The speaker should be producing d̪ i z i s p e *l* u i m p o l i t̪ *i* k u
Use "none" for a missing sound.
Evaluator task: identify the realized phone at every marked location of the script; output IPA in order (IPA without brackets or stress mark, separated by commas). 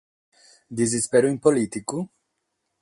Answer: ɾ, i